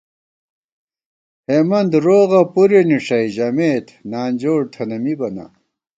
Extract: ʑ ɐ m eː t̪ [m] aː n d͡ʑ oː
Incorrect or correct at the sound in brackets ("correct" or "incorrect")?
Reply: incorrect